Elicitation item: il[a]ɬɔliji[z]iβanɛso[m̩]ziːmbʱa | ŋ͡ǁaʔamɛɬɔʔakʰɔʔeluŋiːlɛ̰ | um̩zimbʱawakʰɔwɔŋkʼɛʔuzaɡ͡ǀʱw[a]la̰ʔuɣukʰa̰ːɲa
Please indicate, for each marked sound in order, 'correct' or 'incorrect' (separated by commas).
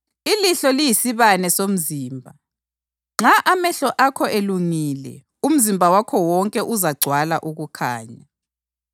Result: incorrect, incorrect, correct, correct